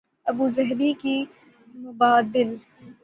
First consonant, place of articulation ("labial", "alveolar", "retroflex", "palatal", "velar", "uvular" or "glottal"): labial